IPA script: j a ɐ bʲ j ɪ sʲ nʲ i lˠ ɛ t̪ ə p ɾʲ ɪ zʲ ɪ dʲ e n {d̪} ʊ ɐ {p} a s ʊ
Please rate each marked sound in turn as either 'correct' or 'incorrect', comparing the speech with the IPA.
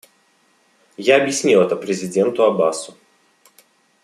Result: incorrect: t̪, incorrect: b

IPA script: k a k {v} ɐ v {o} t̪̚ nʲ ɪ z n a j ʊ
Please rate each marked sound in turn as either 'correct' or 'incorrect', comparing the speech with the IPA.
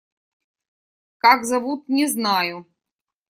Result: incorrect: z, incorrect: u

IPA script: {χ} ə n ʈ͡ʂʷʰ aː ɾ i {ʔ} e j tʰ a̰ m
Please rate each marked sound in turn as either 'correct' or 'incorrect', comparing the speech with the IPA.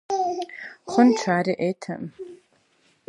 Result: correct, correct

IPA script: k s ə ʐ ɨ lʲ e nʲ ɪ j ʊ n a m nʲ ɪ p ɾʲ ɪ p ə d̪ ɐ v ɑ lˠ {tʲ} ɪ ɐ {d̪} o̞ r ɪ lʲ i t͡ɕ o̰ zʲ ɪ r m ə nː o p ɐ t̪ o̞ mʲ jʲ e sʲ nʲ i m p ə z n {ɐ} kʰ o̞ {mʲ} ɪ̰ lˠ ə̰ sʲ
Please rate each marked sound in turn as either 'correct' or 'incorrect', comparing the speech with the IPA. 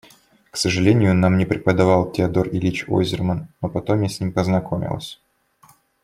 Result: correct, correct, correct, correct

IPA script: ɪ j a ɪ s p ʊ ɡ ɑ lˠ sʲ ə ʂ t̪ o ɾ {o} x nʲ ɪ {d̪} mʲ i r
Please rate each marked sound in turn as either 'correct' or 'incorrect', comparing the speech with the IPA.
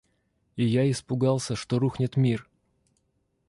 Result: incorrect: u, incorrect: t̪

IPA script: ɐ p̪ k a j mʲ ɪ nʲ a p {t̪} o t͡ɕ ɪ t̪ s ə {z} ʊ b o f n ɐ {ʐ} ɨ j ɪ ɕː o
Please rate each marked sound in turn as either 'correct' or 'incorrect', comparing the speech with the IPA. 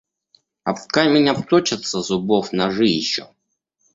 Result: correct, correct, correct

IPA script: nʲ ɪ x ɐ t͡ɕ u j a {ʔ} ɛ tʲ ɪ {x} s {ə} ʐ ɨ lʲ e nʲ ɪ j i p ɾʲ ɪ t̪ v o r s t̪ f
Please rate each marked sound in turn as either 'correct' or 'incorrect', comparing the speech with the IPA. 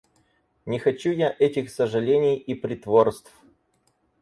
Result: correct, correct, correct

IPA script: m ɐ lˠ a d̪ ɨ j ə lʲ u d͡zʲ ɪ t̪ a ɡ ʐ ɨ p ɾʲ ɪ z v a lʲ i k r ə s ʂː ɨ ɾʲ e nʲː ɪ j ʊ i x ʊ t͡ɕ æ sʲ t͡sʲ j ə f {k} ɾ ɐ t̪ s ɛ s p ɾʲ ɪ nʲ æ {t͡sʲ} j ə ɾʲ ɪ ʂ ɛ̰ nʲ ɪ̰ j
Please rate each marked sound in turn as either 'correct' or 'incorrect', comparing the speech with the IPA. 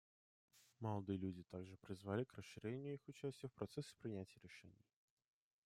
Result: incorrect: p, correct

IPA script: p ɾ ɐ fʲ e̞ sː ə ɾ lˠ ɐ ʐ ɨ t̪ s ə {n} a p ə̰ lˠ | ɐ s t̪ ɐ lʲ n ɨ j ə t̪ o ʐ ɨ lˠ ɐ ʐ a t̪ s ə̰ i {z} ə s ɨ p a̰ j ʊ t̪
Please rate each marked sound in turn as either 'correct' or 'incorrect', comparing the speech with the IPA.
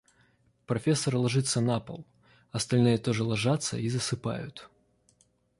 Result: correct, correct

